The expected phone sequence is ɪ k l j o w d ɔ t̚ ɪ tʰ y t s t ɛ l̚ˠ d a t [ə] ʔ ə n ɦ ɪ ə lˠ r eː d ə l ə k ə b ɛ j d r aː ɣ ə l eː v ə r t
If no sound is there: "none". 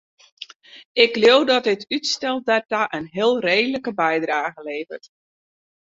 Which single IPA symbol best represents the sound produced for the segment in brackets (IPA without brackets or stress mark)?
a